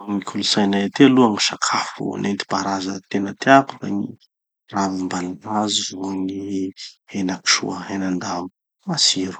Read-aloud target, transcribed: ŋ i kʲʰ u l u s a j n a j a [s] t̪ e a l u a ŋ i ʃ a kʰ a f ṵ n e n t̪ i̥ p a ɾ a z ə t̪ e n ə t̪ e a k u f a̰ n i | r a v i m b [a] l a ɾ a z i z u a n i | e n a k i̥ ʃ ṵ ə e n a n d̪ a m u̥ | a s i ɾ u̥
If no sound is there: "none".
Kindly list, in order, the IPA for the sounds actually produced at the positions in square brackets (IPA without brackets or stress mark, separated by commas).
none, a